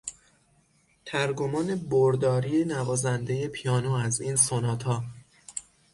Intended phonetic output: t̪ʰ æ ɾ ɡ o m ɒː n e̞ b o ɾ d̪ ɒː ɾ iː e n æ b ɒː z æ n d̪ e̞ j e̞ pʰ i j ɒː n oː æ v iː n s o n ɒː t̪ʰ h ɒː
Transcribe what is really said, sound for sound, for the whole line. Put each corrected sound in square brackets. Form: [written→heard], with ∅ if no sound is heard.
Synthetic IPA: t̪ʰ æ ɾ ɡ o m ɒː n e̞ b o ɾ d̪ ɒː ɾ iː e n æ [b→v] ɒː z æ n d̪ e̞ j e̞ pʰ i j ɒː n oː æ [v→z] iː n s o n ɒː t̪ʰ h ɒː